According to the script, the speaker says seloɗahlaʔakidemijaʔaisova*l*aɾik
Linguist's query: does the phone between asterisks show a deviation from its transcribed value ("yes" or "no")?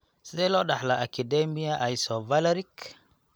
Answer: no